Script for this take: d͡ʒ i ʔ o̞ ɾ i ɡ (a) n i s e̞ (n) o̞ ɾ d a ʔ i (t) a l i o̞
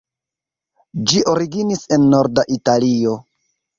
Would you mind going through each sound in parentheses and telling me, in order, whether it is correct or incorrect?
incorrect, incorrect, correct

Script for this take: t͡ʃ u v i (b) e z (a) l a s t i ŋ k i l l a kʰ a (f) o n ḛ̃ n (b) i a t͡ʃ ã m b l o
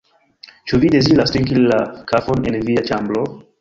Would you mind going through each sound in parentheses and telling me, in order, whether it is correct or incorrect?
incorrect, incorrect, correct, incorrect

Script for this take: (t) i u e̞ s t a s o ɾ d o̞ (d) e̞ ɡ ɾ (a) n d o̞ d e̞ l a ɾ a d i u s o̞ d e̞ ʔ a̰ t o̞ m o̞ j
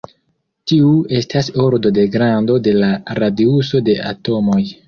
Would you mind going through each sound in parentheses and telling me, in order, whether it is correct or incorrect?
correct, correct, correct

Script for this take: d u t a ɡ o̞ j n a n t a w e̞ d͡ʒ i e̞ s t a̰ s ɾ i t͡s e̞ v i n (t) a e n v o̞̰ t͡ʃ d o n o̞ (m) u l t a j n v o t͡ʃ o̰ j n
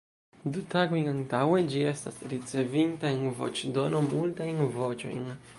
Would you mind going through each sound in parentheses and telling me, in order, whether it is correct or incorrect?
correct, correct

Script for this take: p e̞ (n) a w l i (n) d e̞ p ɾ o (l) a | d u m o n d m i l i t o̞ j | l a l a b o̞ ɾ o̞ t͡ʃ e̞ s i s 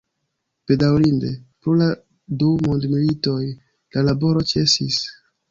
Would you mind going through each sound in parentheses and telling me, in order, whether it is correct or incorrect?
incorrect, correct, correct

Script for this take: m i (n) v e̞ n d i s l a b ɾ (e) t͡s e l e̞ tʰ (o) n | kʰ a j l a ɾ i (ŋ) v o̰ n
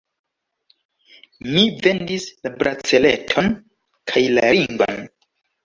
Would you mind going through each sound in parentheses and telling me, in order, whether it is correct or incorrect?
incorrect, incorrect, correct, correct

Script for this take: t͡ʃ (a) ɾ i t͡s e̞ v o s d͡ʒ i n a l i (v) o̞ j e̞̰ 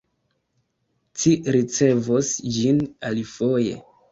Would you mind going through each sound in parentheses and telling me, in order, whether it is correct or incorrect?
incorrect, incorrect

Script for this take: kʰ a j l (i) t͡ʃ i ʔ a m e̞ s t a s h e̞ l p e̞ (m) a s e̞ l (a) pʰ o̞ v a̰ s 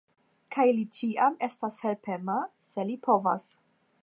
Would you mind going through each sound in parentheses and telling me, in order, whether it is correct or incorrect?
correct, correct, incorrect

